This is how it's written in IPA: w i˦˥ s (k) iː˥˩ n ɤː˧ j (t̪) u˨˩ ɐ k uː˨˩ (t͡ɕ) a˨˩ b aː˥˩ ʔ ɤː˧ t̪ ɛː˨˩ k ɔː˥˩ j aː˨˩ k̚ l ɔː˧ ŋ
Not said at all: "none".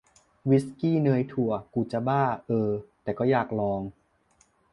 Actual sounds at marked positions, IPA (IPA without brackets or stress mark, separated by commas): k, t̪ʰ, t͡ɕ